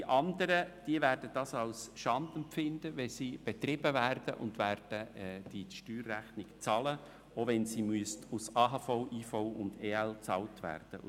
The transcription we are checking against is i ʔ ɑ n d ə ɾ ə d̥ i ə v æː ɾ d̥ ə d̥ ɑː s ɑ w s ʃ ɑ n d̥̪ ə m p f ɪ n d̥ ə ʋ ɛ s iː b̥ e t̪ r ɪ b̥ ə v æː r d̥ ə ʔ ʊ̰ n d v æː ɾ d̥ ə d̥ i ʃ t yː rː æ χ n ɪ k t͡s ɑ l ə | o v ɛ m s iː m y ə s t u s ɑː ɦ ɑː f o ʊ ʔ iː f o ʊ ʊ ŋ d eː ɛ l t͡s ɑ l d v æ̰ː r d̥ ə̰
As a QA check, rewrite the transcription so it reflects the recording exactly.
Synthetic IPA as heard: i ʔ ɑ n d ə ɾ ə d̥ i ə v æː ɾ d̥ ə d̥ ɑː s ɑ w s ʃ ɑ n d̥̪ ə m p f ɪ n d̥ ə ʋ ɛ s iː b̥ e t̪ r ɪ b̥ ə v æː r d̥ ə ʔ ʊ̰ n d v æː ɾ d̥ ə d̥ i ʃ t yː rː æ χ n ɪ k t͡s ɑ l ə | o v ɛ n s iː m y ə s t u s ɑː ɦ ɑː f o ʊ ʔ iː f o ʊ ʊ n d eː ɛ l t͡s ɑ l t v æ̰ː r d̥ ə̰